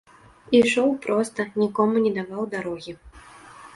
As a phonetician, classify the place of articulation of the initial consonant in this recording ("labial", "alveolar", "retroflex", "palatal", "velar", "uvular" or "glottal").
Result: retroflex